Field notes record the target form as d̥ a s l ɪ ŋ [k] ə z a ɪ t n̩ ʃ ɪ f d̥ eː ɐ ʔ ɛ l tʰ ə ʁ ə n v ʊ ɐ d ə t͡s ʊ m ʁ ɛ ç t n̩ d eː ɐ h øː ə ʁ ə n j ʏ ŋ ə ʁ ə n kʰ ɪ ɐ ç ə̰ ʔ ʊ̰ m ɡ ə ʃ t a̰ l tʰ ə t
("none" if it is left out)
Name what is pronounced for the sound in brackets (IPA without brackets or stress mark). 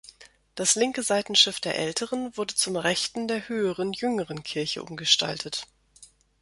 k